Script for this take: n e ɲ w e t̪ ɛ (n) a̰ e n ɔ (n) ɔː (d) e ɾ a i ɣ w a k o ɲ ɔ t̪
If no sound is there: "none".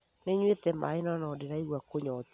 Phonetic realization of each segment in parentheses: m, n, d

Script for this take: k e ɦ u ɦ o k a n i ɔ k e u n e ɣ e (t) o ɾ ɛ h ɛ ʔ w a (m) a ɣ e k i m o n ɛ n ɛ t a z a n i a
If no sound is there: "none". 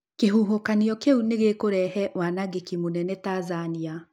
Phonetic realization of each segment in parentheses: k, n

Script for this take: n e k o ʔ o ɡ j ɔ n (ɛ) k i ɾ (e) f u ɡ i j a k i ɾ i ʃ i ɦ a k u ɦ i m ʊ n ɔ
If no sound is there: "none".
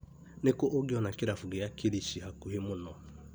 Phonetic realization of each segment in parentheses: a, a

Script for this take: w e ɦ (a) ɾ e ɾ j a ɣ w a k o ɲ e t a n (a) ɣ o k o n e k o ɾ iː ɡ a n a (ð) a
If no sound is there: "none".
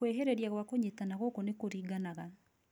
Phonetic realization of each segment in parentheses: e, a, ɣ

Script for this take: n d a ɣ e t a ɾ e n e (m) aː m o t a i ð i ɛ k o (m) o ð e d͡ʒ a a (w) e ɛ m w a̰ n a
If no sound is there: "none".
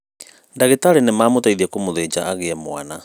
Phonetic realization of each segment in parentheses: m, m, ɣ

